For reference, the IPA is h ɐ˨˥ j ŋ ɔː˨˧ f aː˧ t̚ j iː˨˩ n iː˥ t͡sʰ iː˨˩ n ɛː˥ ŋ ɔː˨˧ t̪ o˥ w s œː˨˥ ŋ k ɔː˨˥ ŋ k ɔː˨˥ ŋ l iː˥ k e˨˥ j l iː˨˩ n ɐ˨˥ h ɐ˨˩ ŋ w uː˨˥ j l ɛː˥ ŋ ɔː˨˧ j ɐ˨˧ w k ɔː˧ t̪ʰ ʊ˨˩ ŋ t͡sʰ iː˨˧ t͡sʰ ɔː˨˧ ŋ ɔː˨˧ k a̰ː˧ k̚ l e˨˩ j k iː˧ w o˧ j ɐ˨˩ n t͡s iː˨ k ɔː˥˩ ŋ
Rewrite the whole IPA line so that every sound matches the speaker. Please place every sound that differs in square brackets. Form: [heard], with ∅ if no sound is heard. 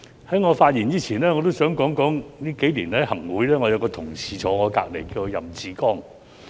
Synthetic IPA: h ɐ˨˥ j ŋ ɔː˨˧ f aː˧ t̚ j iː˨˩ n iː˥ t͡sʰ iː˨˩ n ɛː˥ ŋ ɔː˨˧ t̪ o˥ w s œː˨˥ ŋ k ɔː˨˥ ŋ k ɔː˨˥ ŋ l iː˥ k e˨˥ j l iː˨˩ n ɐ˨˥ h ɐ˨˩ ŋ w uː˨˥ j l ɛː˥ ŋ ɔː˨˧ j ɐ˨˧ w k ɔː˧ t̪ʰ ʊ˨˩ ŋ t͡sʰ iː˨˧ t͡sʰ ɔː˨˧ ŋ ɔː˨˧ k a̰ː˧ k̚ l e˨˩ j k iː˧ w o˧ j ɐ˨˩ [m] t͡s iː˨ k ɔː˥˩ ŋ